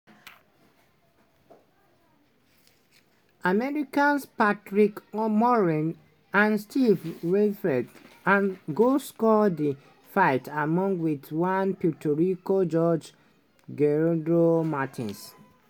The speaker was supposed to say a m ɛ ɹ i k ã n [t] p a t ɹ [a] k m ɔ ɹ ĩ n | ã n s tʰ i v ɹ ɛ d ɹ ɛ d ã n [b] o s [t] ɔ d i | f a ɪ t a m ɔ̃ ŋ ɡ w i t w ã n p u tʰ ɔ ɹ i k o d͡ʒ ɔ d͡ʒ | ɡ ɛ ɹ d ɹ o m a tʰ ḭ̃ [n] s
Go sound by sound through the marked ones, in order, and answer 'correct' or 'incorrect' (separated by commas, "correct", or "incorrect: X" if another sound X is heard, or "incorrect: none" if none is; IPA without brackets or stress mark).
incorrect: s, incorrect: i, incorrect: ɡ, incorrect: k, correct